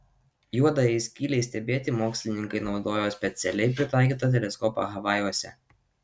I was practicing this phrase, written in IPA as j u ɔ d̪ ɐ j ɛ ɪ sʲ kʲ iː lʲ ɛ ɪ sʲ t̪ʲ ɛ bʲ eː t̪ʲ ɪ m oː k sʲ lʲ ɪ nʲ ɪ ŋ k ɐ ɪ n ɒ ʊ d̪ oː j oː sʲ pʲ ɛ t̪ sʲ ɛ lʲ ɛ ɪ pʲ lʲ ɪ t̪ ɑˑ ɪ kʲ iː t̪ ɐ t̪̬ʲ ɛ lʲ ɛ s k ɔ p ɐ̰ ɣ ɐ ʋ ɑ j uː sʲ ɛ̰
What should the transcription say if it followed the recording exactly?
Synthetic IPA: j u ɔ d̪ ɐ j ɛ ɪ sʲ kʲ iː lʲ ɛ ɪ sʲ t̪ʲ ɛ bʲ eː t̪ʲ ɪ m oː k sʲ lʲ ɪ nʲ ɪ ŋ k ɐ ɪ n ɒ ʊ d̪ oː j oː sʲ pʲ ɛ t̪ sʲ ɛ lʲ ɛ ɪ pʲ ɾʲ ɪ t̪ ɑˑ ɪ kʲ iː t̪ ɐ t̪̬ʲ ɛ lʲ ɛ s k ɔ p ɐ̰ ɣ ɐ ʋ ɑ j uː sʲ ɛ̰